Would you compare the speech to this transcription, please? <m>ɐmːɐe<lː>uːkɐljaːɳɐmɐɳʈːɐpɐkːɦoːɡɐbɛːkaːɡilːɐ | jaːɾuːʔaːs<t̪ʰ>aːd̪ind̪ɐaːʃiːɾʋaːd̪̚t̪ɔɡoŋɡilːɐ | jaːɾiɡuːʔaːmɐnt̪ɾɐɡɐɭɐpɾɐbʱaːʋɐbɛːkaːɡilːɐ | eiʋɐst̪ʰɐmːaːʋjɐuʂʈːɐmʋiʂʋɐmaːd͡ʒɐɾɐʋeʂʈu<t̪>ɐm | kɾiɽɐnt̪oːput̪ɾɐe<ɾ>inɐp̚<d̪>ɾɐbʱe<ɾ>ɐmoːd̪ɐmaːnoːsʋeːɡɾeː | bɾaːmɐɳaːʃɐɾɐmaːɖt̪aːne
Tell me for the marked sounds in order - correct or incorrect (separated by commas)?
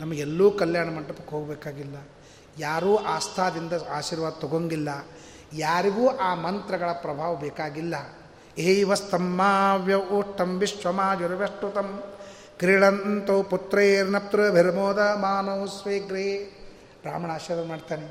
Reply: incorrect, correct, correct, correct, correct, incorrect, correct